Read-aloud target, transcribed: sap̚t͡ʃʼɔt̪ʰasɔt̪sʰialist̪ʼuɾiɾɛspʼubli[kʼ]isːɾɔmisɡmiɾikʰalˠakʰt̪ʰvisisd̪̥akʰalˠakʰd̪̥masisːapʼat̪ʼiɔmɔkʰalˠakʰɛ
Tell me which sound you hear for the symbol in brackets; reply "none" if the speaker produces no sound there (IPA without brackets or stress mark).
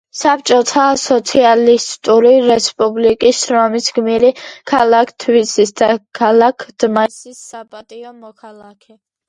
kʼ